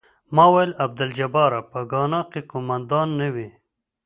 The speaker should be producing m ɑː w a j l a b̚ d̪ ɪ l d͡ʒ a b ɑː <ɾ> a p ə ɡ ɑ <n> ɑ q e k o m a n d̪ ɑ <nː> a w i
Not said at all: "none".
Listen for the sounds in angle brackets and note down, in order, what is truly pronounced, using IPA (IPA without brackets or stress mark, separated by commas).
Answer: ɾ, n, nː